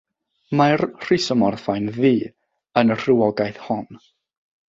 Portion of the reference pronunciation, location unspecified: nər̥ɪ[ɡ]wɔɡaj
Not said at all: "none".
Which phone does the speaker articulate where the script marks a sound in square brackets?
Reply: none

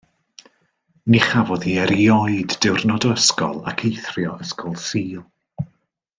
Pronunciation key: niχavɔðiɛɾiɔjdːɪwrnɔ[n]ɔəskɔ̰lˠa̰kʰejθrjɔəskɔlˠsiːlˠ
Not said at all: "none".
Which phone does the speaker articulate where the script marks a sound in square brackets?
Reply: d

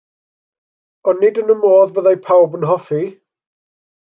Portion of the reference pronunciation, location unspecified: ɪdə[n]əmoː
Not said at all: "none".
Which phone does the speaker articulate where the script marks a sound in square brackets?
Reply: n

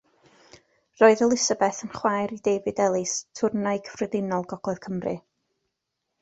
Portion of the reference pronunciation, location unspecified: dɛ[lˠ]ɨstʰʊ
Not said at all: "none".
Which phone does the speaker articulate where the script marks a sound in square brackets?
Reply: lˠ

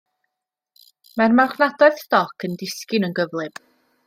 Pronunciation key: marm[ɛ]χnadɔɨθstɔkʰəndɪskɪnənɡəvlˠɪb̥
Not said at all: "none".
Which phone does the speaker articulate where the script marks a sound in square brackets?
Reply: a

